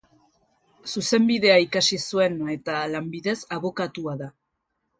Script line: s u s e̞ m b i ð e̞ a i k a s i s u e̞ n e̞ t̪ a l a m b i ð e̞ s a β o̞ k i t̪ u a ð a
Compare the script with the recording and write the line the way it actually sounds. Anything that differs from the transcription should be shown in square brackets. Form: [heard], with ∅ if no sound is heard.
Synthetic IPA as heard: s u s e̞ m b i ð e̞ a i k a s i s u e̞ n e̞ t̪ a l a m b i ð e̞ s a β o̞ k [a] t̪ u a ð a